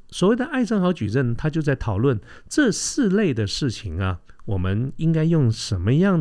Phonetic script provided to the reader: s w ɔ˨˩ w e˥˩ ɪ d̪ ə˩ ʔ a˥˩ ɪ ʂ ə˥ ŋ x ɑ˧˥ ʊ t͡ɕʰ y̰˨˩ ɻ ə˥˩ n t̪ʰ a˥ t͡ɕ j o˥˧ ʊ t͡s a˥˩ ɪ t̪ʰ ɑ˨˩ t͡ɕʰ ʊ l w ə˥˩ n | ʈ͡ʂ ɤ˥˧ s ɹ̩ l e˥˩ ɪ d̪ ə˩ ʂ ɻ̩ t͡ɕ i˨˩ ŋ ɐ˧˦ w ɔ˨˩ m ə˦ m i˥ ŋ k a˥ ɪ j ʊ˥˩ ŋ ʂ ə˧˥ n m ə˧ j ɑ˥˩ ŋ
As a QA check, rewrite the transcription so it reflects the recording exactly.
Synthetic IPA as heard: s w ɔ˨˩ w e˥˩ ɪ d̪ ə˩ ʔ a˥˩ ɪ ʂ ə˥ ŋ x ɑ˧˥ ʊ t͡ɕ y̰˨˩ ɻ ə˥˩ n t̪ʰ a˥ t͡ɕ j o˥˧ ʊ t͡s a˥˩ ɪ t̪ʰ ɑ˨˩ ʊ l w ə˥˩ n | ʈ͡ʂ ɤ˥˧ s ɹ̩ l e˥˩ ɪ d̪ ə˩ ʂ ɻ̩ t͡ɕʰ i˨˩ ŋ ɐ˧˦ w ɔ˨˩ m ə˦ n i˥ ŋ k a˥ ɪ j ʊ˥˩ ŋ ʂ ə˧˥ n m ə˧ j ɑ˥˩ ŋ